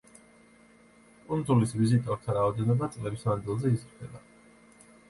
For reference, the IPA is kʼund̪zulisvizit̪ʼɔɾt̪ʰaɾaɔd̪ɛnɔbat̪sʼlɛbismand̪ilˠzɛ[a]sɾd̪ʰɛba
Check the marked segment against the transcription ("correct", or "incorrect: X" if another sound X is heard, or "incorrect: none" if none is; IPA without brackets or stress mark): incorrect: i